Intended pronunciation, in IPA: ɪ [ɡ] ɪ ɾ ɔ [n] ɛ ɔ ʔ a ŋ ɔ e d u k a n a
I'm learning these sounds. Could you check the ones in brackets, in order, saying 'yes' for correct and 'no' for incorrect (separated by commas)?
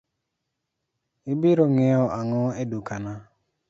no, no